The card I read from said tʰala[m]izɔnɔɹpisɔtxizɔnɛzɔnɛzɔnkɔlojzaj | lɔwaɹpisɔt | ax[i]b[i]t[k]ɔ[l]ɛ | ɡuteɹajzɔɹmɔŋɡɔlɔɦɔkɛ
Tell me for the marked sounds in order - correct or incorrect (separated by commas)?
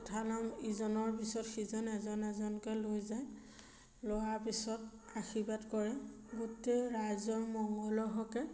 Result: correct, correct, incorrect, correct, incorrect